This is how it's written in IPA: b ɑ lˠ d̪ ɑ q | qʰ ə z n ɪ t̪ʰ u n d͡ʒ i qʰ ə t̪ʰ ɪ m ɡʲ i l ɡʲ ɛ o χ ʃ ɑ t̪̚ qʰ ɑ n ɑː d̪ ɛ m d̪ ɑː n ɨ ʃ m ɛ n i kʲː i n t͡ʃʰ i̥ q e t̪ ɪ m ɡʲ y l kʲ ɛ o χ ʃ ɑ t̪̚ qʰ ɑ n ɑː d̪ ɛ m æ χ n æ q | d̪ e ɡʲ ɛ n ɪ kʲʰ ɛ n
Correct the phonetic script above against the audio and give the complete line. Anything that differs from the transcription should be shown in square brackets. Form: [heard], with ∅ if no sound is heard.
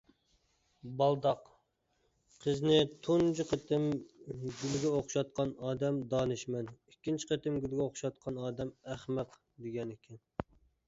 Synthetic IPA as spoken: b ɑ lˠ d̪ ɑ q | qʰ ə z n ɪ t̪ʰ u n d͡ʒ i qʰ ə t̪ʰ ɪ m ɡʲ [y] l ɡʲ ɛ o χ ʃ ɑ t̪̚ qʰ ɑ n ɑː d̪ ɛ m d̪ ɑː n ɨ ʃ m ɛ n i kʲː i n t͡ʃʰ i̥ q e t̪ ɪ m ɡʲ y l [ɡʲ] ɛ o χ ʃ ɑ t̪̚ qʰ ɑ n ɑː d̪ ɛ m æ χ [m] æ q | d̪ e ɡʲ ɛ n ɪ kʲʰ ɛ n